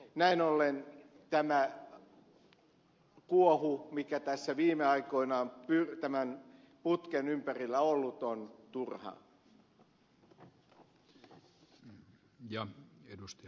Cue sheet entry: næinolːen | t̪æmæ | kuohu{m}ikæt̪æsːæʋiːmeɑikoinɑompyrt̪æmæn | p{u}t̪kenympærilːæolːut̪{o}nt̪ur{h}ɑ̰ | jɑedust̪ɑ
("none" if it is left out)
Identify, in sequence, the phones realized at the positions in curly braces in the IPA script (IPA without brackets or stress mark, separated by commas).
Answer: m, u, o, h